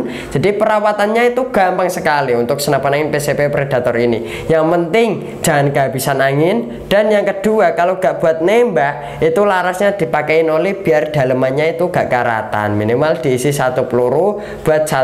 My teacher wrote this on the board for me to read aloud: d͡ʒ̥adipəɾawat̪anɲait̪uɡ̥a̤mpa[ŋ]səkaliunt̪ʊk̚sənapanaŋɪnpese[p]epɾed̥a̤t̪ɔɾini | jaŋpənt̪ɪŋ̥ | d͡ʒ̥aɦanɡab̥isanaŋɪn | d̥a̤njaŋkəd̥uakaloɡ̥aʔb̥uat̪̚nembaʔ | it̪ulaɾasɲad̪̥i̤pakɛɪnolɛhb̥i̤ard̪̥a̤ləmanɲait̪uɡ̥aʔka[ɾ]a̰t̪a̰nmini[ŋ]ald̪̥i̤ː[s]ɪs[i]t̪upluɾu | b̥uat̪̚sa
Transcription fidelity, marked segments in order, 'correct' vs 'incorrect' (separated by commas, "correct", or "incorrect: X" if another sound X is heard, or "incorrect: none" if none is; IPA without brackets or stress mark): correct, correct, correct, incorrect: m, correct, incorrect: a